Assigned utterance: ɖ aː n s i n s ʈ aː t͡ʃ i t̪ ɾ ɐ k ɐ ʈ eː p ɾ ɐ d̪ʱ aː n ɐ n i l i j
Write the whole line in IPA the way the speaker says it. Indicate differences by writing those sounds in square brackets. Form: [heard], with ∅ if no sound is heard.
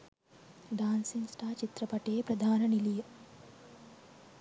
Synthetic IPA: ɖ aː n s i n s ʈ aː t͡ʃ i t̪ ɾ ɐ [p] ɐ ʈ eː p ɾ ɐ d̪ʱ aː n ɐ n i l i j